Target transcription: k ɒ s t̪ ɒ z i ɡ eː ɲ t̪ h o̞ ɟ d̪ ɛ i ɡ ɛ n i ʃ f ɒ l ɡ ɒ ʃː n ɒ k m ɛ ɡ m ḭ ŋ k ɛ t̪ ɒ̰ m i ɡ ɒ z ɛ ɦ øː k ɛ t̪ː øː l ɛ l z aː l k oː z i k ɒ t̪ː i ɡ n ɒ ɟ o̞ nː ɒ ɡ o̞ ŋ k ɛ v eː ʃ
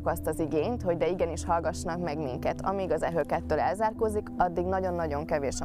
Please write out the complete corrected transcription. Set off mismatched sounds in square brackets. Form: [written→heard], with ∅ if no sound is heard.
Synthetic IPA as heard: k ɒ s t̪ ɒ z i ɡ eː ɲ t̪ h o̞ ɟ d̪ ɛ i ɡ ɛ n i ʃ [f→h] ɒ l ɡ ɒ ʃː n ɒ k m ɛ ɡ m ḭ ŋ k ɛ t̪ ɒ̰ m i ɡ ɒ z ɛ ɦ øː k ɛ t̪ː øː l ɛ l z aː [l→r] k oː z i k ɒ [t̪ː→d̪ː] i ɡ n ɒ ɟ o̞ nː ɒ [ɡ→ɟ] o̞ ŋ k ɛ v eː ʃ